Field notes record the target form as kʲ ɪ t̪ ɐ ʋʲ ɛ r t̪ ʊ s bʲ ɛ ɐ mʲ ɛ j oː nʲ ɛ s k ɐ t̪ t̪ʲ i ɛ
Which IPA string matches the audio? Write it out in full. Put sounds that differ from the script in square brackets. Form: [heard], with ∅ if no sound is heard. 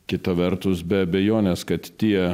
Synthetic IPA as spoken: kʲ ɪ t̪ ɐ ʋʲ ɛ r t̪ ʊ s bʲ ɛ ɐ [bʲ] ɛ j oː nʲ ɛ s k ɐ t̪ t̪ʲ i ɛ